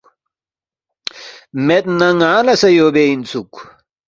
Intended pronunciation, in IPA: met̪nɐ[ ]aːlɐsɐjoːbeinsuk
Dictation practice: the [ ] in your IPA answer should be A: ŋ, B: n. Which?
A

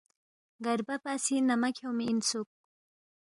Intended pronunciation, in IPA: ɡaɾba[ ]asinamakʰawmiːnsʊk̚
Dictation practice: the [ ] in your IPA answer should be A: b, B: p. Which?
B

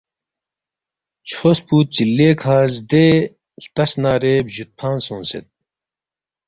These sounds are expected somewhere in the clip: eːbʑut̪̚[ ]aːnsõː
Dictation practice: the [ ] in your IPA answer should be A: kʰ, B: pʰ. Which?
B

